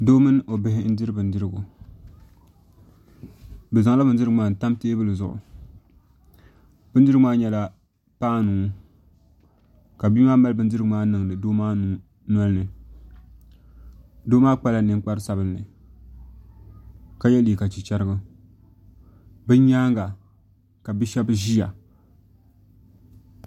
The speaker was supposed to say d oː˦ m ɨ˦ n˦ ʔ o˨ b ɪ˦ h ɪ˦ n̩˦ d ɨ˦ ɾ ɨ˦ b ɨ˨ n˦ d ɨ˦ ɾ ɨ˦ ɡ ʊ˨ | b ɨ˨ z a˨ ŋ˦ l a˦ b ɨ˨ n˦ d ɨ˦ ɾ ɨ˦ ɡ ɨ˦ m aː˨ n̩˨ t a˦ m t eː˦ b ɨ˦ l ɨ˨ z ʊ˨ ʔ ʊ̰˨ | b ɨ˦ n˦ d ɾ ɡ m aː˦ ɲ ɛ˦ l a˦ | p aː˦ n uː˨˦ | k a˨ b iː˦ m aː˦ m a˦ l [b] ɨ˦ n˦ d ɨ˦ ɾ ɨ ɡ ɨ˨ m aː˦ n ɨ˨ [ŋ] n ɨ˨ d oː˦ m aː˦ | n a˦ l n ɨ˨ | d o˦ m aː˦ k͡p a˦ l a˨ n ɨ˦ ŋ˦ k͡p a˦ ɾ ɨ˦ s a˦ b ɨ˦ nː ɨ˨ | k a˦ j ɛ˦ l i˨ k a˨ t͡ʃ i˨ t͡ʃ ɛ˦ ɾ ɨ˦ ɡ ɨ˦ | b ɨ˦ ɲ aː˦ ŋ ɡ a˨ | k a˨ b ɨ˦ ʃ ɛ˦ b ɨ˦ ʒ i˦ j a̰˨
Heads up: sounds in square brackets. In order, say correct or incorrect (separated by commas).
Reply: correct, correct